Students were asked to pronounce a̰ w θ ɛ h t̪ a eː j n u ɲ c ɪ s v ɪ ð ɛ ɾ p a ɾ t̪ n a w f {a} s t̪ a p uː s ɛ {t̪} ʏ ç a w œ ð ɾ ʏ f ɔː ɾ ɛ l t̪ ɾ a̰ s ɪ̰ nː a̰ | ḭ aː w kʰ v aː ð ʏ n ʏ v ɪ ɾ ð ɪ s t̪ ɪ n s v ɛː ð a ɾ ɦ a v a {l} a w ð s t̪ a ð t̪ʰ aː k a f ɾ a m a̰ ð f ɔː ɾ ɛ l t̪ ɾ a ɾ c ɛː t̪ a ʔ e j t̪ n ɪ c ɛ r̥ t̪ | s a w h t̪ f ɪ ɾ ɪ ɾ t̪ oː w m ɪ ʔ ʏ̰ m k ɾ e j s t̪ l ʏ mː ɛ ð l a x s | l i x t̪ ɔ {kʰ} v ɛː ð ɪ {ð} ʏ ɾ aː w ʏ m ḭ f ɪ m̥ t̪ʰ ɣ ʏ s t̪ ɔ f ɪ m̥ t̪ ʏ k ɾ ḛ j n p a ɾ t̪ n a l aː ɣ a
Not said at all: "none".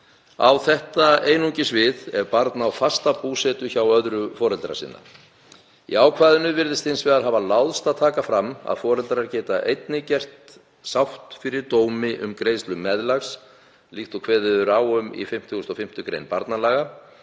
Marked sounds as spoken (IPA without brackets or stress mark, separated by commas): a, t̪, l, kʰ, ð